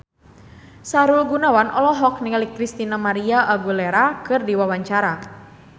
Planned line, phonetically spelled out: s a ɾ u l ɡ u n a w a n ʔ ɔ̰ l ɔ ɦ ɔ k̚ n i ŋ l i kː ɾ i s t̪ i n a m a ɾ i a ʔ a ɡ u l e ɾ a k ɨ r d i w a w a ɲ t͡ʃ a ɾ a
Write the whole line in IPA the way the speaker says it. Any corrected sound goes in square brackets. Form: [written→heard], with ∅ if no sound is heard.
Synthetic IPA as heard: s a ɾ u l ɡ u n a w a n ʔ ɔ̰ l ɔ ɦ ɔ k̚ n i ŋ l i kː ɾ i s t̪ i n a m a ɾ i a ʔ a ɡ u l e ɾ a k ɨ r d i w a w a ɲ t͡ʃ a ɾ a